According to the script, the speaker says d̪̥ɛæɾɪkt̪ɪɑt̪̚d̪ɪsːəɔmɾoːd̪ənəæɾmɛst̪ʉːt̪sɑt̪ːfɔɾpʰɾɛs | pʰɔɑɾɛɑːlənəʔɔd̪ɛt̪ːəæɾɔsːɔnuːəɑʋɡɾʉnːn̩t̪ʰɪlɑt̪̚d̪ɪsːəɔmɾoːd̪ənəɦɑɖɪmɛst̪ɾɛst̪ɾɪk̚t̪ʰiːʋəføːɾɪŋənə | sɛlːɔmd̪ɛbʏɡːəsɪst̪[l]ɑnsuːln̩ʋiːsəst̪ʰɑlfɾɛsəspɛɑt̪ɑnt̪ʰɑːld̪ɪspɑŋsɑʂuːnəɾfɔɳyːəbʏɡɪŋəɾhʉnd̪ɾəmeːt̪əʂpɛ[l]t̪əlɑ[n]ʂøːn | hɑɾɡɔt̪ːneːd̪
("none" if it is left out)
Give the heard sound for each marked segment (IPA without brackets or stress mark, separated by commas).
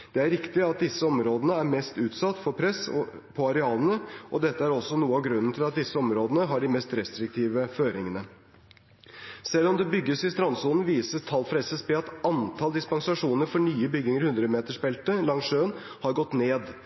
ɾ, l, ŋ